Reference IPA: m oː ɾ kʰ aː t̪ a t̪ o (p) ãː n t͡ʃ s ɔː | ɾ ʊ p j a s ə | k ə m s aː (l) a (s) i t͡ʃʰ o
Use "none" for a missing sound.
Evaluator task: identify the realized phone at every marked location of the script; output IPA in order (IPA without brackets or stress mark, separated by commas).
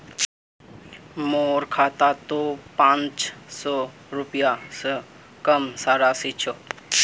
p, ɾ, s